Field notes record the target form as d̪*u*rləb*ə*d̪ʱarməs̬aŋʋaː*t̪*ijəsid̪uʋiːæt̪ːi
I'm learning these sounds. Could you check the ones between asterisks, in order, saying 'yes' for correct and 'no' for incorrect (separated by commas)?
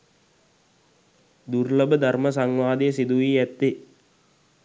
yes, yes, no